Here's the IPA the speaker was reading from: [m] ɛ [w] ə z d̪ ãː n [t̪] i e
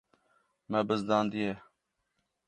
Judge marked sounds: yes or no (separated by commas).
yes, no, no